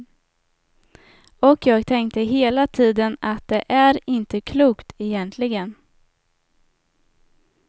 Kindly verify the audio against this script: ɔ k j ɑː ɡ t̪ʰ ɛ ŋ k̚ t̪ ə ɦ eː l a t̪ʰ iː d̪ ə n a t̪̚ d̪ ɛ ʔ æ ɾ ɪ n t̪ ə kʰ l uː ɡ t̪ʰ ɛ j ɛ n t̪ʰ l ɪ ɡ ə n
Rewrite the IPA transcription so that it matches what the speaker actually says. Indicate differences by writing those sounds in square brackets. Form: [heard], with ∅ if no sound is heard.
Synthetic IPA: ɔ k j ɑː ɡ t̪ʰ ɛ ŋ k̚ t̪ ə ɦ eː l a t̪ʰ iː d̪ ə n a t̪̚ d̪ ɛ ʔ æ ɾ ɪ n t̪ ə kʰ l uː [k] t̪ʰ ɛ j ɛ n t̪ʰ l ɪ ɡ ə n